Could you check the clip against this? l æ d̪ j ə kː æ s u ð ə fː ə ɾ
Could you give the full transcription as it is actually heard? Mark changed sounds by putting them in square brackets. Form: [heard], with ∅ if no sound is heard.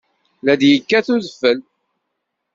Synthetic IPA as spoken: l æ d̪ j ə kː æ [θ] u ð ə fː ə [l]